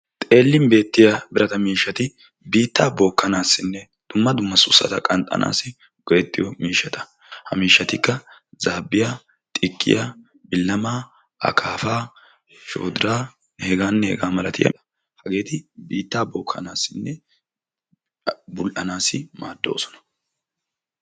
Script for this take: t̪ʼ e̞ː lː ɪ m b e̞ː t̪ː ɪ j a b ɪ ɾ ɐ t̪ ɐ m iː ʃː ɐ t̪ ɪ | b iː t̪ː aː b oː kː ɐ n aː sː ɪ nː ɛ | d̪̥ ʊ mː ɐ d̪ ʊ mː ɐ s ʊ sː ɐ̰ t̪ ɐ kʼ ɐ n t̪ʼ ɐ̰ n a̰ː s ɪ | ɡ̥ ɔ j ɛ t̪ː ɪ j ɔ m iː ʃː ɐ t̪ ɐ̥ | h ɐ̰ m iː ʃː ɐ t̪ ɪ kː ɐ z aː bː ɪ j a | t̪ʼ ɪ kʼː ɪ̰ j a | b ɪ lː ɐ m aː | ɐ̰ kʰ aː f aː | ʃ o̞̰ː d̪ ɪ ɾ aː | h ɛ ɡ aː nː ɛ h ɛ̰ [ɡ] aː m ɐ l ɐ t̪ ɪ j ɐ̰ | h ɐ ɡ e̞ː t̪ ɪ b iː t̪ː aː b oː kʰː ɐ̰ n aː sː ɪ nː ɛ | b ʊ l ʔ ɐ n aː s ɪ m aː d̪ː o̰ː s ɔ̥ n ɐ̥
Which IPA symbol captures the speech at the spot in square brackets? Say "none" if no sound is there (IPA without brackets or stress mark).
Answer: ɡ